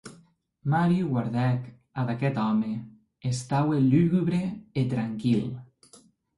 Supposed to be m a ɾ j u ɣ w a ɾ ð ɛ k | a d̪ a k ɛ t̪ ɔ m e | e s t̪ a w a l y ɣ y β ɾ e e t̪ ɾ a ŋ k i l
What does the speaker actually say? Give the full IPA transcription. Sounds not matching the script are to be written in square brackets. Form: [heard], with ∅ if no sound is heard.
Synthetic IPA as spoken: m a ɾ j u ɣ w a ɾ ð ɛ k | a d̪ a k ɛ t̪ ɔ m e | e s t̪ a w [e] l y ɣ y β ɾ e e t̪ ɾ a ŋ k i l